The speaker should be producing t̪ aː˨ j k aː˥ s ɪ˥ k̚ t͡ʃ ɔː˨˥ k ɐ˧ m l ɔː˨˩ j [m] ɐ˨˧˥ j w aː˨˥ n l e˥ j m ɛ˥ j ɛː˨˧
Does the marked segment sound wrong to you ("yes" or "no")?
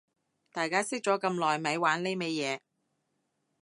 no